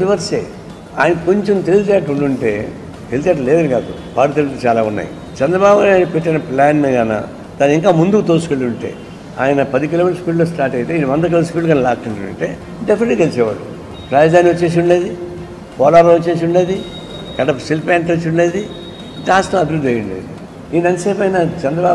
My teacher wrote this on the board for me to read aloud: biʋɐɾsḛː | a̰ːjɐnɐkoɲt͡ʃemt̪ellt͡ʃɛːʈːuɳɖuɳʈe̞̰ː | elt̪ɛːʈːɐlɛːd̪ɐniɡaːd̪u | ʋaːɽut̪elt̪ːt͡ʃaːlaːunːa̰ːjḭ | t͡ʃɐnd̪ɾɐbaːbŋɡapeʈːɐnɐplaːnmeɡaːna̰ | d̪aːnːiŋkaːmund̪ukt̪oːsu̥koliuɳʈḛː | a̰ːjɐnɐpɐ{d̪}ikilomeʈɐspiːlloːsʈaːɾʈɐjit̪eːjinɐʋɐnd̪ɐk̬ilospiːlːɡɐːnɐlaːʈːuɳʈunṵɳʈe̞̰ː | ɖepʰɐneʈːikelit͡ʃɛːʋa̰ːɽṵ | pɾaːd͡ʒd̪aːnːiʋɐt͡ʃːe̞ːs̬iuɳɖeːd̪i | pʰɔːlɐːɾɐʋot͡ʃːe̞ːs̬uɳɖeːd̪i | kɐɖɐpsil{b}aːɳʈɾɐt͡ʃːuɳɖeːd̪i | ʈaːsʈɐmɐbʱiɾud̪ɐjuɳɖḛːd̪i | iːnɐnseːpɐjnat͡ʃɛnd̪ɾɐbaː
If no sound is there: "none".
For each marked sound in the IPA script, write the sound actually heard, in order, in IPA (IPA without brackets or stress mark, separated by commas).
d̪, p